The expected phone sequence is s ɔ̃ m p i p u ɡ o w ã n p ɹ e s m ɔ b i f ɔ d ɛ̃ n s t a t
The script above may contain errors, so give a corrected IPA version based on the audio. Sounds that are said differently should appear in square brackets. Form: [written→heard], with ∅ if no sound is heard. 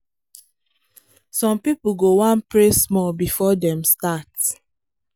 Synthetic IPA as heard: s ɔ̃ m p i p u ɡ o w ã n p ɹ e s m ɔ b i f ɔ d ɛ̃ [n→m] s t a t

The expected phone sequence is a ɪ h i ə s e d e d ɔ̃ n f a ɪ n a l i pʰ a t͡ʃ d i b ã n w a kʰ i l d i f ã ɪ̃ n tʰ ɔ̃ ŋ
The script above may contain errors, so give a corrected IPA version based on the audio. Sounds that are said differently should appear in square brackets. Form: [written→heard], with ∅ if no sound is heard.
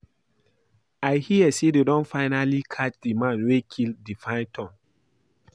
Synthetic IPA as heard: a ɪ h i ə s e d e d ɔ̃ n f a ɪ n a l i [pʰ→kʰ] a t͡ʃ d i [b→m] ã n w [a→e] kʰ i l d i f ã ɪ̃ n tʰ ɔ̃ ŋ

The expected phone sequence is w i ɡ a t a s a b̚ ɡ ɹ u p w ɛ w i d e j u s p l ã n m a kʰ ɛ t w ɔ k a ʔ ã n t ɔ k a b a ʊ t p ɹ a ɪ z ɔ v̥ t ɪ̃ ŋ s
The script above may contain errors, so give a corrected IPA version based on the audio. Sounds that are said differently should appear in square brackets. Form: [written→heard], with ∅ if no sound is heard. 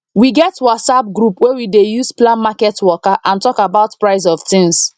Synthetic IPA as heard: w i ɡ [a→ɛ] t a s a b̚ ɡ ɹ u p w ɛ w i d e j u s p l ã n m a [kʰ→k] ɛ t w ɔ k a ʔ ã n t ɔ k a b a ʊ t p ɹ a ɪ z ɔ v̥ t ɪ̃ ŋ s

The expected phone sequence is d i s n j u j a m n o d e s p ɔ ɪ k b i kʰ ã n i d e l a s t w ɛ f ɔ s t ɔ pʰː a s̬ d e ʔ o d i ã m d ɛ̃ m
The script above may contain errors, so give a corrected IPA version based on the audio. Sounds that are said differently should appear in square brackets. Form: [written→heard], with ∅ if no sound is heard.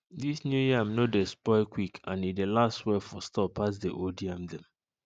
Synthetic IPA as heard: d i s n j u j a m n o d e s p ɔ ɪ k [b→w] i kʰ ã n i d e l a s t w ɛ f ɔ s t ɔ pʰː a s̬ d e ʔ o d i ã m d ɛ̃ m

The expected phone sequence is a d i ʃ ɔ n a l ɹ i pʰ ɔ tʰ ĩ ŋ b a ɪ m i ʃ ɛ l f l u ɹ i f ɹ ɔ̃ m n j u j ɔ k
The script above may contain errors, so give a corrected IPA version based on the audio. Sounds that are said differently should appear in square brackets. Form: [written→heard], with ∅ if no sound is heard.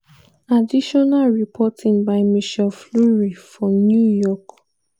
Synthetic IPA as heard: a d i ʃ ɔ n a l ɹ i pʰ ɔ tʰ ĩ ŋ b a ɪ m i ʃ ɛ l f l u ɹ i f ɹ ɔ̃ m n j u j ɔ k

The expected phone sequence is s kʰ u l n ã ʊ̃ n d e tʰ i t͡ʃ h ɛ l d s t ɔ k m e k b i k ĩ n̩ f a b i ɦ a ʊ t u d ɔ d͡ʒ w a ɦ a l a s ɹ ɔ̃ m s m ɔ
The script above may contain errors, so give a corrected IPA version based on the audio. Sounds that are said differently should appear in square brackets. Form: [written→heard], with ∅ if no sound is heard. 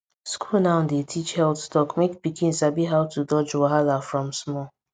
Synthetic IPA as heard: s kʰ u l n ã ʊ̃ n d e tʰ i t͡ʃ h ɛ l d s t ɔ k m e k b i k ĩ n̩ [f→s] a b i ɦ a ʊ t u d ɔ d͡ʒ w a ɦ a l a [s→f] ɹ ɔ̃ m s m ɔ

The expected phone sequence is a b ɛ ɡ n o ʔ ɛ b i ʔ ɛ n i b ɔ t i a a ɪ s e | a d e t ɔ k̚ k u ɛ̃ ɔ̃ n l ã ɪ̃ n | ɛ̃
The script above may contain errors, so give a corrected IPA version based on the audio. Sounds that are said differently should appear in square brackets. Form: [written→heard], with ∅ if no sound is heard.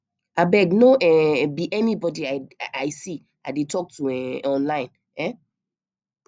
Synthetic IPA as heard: a b ɛ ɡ n o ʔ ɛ b i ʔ ɛ n i b ɔ [t→d] i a a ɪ s [e→i] | a d e t ɔ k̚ [k→t] u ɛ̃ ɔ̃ n l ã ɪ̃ n | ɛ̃

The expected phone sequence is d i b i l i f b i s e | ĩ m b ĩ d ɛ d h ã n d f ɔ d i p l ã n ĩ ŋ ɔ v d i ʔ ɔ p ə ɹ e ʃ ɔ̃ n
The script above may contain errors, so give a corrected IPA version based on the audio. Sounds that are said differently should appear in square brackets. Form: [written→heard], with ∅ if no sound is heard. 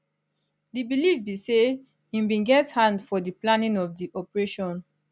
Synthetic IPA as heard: d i b i l i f b i s e | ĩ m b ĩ [d→ɡ] ɛ [d→t] h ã n d f ɔ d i p l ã n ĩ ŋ ɔ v d i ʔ ɔ p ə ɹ e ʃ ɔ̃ n

